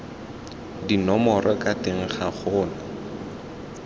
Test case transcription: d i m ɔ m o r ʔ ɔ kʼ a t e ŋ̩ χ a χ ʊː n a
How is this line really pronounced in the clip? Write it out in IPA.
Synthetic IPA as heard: d i n ɔ m ɔ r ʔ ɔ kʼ a t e ŋ̩ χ a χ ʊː n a